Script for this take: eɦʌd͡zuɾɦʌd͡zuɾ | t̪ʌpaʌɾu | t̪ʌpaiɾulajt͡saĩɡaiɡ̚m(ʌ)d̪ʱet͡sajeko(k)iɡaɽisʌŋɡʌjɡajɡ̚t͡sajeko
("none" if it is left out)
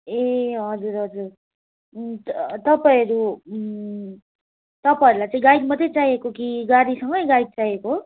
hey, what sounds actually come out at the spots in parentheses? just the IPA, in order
ʌ, k

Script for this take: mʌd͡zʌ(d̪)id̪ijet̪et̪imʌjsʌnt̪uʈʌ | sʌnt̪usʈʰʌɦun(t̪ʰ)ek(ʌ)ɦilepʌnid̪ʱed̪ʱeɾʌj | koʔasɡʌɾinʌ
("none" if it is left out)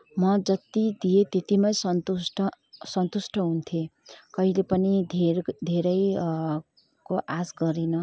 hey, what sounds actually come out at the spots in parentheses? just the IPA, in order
t̪, t̪ʰ, ʌ

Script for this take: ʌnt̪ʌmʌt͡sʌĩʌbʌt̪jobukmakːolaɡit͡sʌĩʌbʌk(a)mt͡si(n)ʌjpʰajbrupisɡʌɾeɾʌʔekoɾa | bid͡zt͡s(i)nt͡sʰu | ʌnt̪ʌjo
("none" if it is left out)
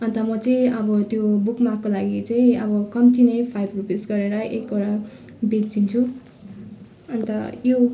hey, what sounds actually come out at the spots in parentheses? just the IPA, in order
ʌ, n, i

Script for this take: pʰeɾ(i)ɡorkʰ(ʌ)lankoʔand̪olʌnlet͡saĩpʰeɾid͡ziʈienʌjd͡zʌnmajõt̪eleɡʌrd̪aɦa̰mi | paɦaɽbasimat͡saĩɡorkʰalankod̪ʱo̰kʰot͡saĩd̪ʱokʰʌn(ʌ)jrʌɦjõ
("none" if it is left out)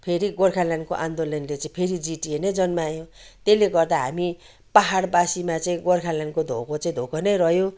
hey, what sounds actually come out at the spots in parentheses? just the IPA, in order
i, a, ʌ

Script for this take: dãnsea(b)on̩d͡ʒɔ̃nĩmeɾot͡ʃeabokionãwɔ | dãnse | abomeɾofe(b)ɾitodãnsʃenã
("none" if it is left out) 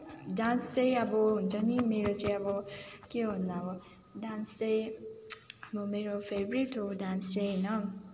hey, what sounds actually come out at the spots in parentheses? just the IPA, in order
b, b

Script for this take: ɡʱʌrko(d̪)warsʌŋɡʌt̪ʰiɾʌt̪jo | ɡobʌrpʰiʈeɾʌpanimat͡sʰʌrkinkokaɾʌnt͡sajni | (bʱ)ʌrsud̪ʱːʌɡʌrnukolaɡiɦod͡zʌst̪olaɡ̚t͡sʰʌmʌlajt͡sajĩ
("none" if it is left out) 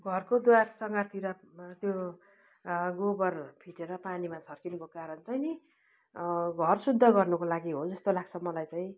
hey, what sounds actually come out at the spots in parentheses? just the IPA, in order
d̪, ɡʱ

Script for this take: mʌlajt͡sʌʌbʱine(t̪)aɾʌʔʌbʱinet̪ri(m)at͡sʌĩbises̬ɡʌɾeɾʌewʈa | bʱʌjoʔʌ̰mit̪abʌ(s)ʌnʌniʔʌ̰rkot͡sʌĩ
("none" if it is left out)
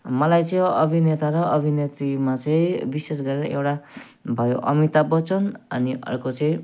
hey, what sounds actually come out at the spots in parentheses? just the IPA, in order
t̪, m, t͡s

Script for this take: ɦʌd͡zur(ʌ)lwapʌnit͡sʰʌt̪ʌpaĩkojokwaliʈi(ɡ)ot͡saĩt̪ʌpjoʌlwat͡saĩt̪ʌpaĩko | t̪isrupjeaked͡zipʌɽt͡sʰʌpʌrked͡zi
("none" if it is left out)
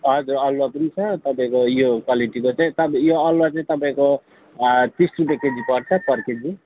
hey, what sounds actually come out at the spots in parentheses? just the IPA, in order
ʌ, k

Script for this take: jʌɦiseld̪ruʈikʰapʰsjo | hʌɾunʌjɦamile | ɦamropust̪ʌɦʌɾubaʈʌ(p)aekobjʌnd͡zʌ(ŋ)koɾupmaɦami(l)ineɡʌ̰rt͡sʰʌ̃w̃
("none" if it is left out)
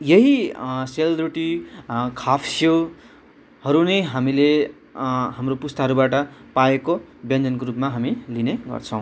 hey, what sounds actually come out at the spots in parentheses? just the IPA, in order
p, n, l

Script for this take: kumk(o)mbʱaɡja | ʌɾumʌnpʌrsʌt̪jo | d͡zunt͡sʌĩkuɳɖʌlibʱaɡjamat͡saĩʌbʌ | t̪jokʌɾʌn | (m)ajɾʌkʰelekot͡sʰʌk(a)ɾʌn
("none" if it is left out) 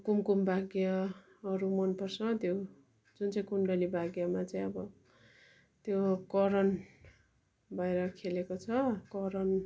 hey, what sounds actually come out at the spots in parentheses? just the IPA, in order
u, b, ʌ

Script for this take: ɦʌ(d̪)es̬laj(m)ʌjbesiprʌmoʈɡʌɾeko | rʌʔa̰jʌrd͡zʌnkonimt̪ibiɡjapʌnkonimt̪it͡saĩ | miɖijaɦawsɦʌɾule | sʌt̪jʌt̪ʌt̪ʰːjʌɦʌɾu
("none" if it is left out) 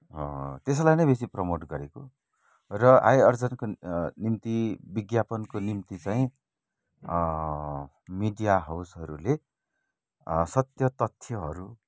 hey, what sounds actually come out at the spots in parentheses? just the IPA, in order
t̪, n

